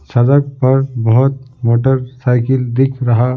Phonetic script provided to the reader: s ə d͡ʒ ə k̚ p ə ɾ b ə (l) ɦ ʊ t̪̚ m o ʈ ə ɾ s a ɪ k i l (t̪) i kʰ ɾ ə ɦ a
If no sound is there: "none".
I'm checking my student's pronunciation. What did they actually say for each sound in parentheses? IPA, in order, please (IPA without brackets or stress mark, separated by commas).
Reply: none, d̪